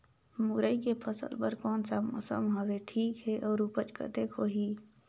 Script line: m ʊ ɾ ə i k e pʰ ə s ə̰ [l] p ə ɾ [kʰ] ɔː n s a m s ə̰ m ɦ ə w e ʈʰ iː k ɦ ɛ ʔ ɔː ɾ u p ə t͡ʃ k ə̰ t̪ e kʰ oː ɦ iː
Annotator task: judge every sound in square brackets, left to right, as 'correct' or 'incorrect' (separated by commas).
correct, incorrect